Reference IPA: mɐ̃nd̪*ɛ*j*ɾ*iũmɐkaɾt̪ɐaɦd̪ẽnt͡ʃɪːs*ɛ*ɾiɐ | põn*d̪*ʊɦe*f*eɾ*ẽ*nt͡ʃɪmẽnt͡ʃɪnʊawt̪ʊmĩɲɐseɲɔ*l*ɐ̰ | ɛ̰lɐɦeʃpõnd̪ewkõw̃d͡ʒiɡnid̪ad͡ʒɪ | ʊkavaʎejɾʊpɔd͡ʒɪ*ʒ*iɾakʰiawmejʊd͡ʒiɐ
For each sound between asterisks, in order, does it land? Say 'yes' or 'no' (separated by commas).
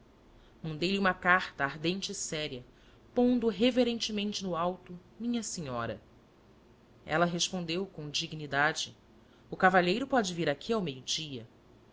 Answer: no, no, yes, yes, no, yes, no, no